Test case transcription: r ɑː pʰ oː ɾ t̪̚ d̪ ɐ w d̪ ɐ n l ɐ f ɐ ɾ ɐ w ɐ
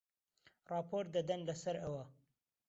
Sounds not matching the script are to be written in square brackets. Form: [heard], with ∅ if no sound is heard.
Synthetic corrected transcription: r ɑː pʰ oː ɾ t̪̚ d̪ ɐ [∅] d̪ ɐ n l ɐ [s] ɐ ɾ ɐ w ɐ